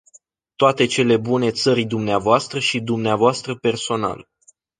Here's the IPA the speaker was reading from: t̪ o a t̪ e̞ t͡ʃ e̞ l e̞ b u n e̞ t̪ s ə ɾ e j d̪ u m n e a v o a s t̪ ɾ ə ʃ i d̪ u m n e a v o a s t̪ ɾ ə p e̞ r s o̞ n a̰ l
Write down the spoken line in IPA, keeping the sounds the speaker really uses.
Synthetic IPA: t̪ o a t̪ e̞ t͡ʃ e̞ l e̞ b u n e̞ t̪ s ə ɾ i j d̪ u m n e a v o a s t̪ ɾ ə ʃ i d̪ u m n e a v o a s t̪ ɾ ə p e̞ r s o̞ n a̰ l